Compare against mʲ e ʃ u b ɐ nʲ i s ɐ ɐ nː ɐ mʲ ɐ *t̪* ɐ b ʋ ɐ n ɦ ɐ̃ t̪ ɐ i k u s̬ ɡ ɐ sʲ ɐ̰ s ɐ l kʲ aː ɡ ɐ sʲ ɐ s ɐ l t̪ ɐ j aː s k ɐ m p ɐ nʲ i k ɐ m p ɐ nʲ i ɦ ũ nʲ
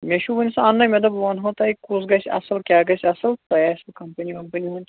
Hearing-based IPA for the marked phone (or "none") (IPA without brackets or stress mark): d̪